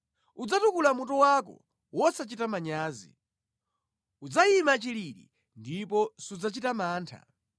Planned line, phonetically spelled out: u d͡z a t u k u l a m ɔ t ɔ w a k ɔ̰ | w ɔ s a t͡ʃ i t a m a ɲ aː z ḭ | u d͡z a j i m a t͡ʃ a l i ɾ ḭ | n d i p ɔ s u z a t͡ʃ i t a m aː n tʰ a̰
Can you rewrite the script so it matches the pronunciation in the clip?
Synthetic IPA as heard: u d͡z a t u k u l a m u t ɔ w a k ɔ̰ | w ɔ s a t͡ʃ i t a m a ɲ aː z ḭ | u d͡z a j i m a t͡ʃ i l i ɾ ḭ | n d i p ɔ s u d͡z a t͡ʃ i t a m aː n tʰ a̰